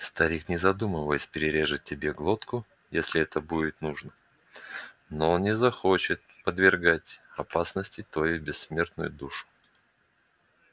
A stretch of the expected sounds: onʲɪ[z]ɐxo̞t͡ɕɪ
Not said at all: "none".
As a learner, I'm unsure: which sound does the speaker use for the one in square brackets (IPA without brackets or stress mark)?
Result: z